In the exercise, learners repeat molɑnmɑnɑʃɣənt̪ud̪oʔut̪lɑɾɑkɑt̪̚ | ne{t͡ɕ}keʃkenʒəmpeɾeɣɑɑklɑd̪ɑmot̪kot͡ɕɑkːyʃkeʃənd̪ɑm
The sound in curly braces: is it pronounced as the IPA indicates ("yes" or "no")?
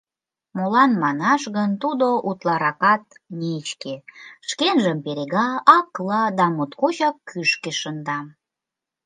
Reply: yes